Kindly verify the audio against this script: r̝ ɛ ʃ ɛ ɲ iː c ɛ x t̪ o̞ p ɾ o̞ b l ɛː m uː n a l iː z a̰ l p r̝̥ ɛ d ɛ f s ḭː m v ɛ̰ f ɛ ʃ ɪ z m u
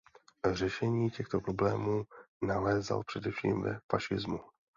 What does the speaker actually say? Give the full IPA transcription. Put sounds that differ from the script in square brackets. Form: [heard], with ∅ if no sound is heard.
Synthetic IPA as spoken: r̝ ɛ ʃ ɛ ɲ iː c ɛ x t̪ o̞ p ɾ o̞ b l ɛː m uː n a l [ɛː] z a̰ l p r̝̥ ɛ d ɛ f [ʃ] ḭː m v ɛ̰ f [a] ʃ ɪ z m u